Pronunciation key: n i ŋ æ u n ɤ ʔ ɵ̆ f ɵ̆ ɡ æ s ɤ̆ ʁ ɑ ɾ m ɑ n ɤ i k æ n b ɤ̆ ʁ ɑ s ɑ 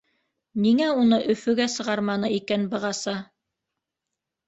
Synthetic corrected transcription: n i ŋ æ u n ɤ ʔ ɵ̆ f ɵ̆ ɡ æ s ɤ̆ ʁ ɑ ɾ m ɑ n ɤ i k æ n b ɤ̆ ʁ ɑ s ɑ